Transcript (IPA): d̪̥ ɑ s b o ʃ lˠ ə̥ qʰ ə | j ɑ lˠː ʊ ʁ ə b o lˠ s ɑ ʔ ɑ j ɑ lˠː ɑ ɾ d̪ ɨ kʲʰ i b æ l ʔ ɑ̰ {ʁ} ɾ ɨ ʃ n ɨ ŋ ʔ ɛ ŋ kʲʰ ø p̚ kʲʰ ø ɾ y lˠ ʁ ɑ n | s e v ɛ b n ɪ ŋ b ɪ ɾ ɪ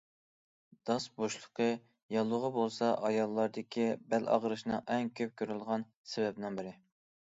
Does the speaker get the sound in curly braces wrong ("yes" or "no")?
no